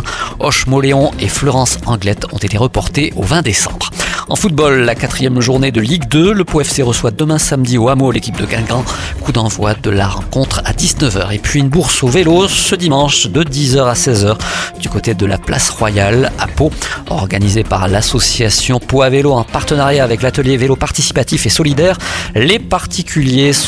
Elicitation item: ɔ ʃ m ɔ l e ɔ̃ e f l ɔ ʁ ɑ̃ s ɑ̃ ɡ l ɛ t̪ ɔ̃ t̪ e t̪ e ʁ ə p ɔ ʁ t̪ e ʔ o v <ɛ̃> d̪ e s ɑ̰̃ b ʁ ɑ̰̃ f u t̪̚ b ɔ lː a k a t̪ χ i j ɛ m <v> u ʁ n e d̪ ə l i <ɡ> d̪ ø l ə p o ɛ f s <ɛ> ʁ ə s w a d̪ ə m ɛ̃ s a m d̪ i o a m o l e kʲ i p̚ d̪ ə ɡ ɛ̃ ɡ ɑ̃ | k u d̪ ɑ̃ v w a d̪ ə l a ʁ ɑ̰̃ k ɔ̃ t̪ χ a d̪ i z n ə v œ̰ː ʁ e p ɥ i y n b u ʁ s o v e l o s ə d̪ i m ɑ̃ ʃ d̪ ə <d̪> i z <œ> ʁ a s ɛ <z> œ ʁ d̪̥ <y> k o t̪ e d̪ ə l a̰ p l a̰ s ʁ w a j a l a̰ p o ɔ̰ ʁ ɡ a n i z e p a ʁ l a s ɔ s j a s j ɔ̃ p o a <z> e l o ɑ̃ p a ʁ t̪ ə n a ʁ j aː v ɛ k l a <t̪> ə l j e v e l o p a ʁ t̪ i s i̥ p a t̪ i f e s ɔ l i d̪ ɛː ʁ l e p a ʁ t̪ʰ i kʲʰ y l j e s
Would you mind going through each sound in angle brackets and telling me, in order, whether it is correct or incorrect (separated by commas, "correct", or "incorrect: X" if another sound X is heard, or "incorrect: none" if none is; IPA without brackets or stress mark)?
correct, incorrect: ʒ, correct, incorrect: e, correct, correct, correct, correct, incorrect: v, correct